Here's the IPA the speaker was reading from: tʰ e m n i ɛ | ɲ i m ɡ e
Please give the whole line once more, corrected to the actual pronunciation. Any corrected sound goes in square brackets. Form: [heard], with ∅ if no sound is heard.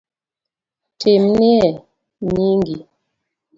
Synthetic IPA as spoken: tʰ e m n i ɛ | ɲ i [ŋ] ɡ [i]